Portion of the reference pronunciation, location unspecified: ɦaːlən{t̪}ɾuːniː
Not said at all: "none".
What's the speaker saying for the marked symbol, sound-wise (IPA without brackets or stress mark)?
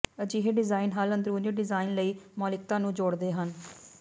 d̪